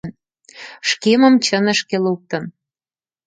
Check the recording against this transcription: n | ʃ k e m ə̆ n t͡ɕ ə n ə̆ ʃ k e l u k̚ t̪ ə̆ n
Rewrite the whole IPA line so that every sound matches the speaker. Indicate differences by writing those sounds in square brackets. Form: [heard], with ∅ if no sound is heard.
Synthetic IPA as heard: n | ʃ k e m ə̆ [m] t͡ɕ ə n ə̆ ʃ k e l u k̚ t̪ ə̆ n